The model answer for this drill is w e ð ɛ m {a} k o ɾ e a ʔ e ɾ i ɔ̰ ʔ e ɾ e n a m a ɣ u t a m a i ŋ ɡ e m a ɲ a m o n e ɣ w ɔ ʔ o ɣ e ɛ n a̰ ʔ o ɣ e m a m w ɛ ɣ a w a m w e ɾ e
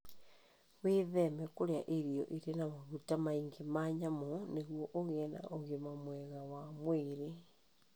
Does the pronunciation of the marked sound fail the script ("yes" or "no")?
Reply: yes